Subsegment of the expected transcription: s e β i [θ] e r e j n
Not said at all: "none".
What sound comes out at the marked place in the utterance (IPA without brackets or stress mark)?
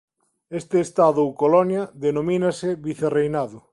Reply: θ